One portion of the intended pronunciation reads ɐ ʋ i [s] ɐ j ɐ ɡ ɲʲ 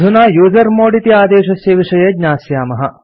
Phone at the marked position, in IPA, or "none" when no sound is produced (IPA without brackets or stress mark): ʂ